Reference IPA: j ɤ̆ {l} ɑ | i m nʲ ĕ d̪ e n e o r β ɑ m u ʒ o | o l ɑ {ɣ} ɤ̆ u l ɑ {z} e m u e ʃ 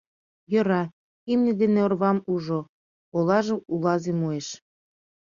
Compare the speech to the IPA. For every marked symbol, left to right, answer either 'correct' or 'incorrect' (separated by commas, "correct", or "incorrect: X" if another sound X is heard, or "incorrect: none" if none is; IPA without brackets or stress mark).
incorrect: ɾ, incorrect: ʒ, correct